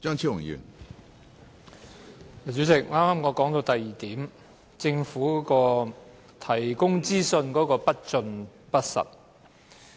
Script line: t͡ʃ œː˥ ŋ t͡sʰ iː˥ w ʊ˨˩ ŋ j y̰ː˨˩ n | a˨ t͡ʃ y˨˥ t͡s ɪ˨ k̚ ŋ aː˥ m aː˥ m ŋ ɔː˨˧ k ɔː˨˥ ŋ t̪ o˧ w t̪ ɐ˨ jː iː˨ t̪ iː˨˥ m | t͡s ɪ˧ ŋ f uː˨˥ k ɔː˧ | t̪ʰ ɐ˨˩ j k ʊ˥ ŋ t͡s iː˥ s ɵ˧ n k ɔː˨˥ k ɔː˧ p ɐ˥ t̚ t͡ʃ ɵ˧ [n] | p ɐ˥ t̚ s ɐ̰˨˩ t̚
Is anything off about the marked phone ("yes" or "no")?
no